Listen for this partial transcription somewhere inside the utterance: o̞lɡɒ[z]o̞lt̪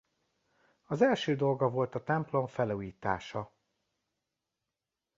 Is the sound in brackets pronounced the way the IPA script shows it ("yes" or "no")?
no